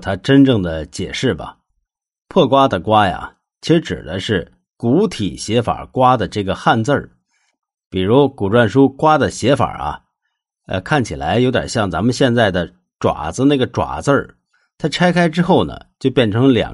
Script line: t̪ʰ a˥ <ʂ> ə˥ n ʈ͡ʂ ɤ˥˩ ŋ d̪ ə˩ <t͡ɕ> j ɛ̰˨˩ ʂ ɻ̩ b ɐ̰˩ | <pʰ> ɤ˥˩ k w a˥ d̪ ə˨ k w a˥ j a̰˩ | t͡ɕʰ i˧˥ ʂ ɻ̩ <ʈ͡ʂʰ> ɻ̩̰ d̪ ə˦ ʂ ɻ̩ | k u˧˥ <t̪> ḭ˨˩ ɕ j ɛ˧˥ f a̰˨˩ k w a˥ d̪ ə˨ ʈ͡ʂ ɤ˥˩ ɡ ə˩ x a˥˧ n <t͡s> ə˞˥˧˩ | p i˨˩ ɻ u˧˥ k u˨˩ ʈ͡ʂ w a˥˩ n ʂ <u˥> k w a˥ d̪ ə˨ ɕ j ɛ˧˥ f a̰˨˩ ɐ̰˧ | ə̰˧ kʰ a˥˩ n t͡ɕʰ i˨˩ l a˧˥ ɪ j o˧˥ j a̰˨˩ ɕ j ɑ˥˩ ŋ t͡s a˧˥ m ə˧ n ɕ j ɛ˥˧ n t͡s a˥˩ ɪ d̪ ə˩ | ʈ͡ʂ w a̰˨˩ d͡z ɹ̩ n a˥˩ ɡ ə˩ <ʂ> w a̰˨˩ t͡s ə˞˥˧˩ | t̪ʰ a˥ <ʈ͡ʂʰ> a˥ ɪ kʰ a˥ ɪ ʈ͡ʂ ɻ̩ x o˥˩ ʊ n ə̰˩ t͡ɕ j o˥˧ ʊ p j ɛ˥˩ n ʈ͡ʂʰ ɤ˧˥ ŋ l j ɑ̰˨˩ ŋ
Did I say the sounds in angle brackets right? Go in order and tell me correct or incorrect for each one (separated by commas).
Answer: incorrect, correct, correct, incorrect, incorrect, correct, correct, incorrect, correct